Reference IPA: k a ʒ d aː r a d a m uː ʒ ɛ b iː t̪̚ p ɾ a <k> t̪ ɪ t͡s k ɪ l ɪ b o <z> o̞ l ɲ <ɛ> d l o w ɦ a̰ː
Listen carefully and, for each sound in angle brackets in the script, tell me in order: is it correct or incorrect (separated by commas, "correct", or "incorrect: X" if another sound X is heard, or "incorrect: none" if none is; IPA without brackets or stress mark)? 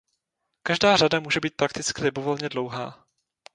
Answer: correct, incorrect: v, correct